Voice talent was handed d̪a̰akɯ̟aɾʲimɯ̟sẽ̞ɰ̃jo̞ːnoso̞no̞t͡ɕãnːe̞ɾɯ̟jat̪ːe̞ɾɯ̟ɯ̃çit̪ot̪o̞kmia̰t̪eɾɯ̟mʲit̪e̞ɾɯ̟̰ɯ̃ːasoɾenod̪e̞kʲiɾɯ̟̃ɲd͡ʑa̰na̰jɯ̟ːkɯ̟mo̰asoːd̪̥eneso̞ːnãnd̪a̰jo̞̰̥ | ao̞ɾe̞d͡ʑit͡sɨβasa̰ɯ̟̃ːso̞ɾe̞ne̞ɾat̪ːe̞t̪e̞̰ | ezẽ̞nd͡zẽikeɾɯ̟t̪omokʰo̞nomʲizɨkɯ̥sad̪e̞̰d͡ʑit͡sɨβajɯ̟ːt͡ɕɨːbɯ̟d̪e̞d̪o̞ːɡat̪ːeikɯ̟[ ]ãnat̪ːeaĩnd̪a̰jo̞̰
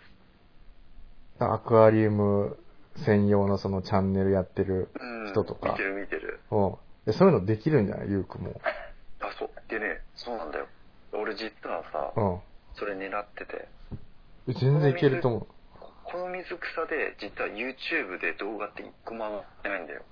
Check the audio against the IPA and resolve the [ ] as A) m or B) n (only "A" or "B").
A